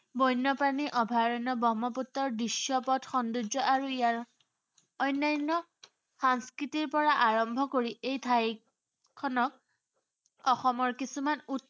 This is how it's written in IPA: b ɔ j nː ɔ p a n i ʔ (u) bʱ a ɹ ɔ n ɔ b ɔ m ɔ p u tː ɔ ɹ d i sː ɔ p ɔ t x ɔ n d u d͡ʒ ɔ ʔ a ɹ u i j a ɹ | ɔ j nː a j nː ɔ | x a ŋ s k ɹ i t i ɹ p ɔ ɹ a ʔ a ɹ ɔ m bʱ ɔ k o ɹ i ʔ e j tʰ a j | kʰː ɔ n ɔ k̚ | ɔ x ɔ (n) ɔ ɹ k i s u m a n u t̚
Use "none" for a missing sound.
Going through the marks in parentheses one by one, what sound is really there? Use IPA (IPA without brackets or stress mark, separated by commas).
ɔ, m